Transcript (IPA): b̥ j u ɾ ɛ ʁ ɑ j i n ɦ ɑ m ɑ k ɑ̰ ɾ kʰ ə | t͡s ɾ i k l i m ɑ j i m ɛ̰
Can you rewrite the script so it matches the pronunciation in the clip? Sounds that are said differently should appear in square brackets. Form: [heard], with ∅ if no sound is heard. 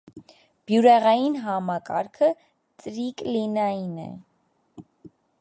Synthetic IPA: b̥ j u ɾ ɛ ʁ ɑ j i n ɦ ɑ m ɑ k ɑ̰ ɾ kʰ ə | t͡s ɾ i k l i [n] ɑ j i [n] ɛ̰